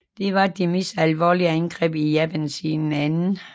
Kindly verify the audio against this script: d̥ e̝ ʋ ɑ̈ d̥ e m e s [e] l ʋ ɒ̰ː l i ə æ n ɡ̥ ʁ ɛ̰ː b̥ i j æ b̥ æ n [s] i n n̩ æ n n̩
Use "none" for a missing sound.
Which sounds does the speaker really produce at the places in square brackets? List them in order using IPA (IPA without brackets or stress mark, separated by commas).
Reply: æ, s